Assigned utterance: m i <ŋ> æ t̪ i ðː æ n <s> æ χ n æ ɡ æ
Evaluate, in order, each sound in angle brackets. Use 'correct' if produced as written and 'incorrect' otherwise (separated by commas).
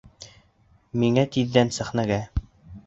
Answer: correct, correct